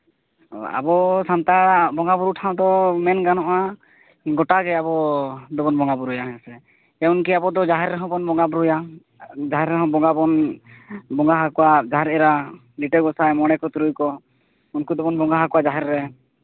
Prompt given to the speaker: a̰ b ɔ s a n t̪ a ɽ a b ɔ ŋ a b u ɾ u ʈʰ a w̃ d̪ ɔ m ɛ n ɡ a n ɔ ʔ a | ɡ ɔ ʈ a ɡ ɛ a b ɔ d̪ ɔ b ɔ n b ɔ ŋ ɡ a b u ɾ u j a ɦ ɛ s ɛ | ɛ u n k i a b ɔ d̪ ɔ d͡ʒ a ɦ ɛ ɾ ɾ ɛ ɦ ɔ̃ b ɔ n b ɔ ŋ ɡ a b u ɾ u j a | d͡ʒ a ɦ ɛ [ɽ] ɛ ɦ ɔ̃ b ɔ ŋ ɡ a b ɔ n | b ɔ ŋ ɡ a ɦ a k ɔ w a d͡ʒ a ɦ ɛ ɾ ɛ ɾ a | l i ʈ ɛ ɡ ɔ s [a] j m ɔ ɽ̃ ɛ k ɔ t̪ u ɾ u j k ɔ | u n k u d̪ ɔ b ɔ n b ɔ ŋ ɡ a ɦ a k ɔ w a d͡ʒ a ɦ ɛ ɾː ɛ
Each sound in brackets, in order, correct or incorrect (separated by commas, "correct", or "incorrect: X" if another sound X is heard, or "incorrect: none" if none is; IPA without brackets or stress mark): incorrect: ɾ, correct